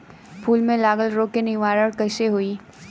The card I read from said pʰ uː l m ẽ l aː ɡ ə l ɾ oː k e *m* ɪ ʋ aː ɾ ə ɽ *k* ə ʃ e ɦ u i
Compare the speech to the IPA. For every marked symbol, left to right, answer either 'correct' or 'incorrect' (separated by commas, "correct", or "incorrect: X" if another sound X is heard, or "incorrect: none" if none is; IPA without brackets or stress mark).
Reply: incorrect: n, correct